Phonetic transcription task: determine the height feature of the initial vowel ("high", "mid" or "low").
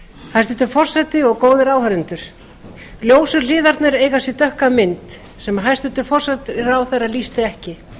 low